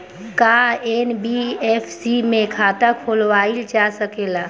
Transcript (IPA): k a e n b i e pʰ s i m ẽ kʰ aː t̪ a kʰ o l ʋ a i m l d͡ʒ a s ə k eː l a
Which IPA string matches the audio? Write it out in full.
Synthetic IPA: k a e n b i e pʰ s i m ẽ kʰ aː t̪ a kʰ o l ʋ a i l d͡ʒ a s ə k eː l a